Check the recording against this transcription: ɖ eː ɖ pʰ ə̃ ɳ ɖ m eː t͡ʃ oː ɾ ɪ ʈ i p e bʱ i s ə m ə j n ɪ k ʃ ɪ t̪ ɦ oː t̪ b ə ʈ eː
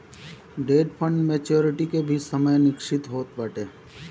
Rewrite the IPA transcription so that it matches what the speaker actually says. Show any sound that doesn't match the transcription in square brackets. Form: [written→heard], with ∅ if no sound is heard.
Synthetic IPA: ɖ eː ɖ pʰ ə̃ ɳ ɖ m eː t͡ʃ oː ɾ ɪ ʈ i [p→k] e bʱ i s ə m ə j n ɪ k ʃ ɪ t̪ ɦ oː t̪ b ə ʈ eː